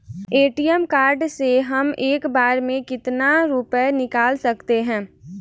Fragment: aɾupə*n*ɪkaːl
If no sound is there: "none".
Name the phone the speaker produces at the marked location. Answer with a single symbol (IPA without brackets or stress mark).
n